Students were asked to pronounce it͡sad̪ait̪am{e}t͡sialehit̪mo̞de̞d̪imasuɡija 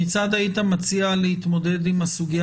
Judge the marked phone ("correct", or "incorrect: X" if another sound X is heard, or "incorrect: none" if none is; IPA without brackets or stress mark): incorrect: a